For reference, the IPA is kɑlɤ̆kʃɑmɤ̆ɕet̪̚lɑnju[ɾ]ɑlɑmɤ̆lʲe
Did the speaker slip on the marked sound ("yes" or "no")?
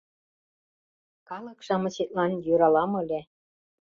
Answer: no